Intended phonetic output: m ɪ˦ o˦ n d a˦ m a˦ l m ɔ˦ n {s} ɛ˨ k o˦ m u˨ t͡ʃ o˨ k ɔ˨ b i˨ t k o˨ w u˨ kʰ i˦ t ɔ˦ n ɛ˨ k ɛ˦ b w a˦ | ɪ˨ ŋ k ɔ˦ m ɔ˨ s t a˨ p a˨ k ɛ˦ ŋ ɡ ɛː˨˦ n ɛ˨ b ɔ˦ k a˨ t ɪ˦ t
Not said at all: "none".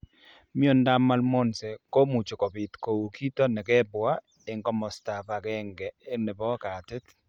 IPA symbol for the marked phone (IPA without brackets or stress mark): s